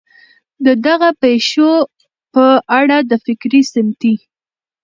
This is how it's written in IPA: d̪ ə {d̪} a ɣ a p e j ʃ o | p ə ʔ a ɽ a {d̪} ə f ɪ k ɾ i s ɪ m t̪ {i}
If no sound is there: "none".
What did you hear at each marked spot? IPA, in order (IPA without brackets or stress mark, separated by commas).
d̪, d̪, i